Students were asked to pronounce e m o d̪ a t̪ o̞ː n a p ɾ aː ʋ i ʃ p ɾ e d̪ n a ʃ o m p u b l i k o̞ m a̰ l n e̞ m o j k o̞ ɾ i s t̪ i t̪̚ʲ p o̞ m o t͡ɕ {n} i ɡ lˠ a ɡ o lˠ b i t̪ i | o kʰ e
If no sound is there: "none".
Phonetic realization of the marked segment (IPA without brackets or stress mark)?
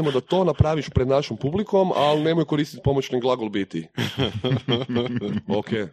n